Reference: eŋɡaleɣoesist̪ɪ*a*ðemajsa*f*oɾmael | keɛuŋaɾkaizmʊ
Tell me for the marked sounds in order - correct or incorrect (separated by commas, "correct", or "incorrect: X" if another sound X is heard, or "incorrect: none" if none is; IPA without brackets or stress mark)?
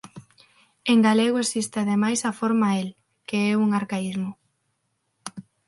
correct, correct